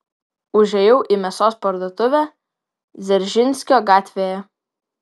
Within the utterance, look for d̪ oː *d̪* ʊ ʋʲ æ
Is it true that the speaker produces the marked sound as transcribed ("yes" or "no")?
no